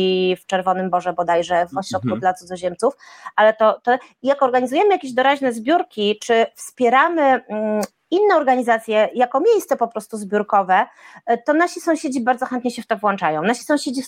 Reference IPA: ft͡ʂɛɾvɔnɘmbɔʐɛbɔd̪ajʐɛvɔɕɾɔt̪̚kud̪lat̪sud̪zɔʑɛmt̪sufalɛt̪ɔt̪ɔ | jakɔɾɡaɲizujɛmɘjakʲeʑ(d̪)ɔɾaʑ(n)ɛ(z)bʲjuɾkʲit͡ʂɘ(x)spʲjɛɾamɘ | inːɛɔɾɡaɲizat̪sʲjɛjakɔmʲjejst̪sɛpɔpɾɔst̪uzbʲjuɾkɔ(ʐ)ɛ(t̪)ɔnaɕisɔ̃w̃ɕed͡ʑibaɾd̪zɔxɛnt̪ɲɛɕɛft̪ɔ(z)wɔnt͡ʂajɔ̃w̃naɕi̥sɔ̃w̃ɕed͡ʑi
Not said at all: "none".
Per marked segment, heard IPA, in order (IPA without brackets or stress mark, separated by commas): d̪, n, z, f, v, t̪, v